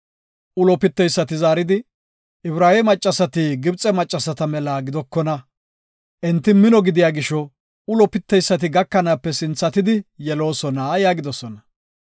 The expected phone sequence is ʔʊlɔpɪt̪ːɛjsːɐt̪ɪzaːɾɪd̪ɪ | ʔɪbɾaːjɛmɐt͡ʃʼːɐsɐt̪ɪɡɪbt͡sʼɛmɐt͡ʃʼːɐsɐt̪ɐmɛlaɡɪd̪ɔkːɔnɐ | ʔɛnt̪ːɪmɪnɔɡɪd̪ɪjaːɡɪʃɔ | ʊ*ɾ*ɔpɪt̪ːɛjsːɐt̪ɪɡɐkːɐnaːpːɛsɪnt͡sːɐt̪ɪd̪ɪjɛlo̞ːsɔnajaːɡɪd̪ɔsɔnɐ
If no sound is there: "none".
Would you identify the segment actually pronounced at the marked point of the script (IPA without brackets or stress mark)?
l